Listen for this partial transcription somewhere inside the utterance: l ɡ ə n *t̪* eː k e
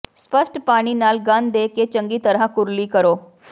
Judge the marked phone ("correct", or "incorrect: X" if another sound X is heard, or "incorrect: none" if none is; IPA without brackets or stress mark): incorrect: d̪